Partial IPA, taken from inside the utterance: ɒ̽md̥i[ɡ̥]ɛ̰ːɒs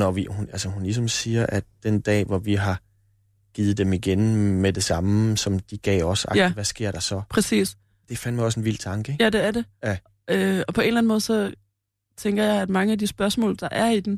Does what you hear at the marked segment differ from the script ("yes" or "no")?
no